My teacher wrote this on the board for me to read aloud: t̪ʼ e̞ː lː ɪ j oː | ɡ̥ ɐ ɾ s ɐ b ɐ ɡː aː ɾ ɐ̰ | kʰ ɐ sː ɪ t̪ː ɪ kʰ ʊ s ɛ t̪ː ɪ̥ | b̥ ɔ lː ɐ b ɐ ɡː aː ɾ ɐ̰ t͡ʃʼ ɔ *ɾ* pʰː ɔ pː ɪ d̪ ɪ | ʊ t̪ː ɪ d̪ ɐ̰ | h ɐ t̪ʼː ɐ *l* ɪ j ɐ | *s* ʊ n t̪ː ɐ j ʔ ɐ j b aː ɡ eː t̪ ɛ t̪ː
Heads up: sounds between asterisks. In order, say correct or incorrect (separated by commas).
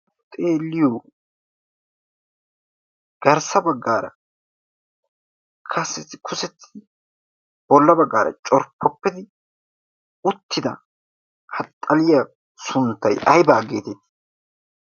correct, correct, correct